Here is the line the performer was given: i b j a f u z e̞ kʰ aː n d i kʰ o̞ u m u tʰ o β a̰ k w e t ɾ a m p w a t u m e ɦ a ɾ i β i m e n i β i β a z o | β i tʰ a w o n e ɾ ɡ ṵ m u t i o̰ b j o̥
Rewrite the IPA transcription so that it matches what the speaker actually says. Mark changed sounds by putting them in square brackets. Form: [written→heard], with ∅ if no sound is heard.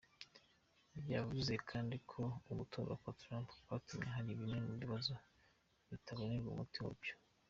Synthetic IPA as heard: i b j a [f→v] u z e̞ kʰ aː n d i kʰ o̞ u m u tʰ o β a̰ k w [e→a] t ɾ a m p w a t u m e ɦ a ɾ i β i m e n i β i β a z o | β i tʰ a [w→β] o n e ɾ ɡ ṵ m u t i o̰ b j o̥